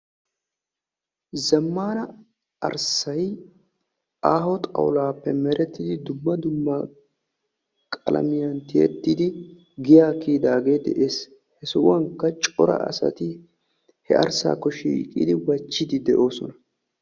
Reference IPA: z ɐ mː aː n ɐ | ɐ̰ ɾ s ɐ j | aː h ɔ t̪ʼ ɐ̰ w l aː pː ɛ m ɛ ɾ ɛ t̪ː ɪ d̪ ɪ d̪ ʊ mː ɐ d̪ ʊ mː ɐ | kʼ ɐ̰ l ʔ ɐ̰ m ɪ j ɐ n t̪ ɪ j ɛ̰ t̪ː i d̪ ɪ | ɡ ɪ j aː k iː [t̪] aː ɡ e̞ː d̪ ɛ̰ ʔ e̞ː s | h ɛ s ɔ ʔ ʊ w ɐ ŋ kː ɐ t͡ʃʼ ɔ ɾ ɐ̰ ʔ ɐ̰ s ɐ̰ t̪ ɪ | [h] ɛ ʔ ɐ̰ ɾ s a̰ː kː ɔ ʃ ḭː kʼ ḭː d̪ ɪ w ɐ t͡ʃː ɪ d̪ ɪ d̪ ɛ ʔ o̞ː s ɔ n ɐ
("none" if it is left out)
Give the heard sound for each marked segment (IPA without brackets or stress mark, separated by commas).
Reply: d̪, h